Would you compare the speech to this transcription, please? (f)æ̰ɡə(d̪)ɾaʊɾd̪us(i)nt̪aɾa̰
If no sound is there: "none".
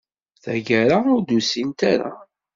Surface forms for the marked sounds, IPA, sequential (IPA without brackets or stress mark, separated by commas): θ, none, i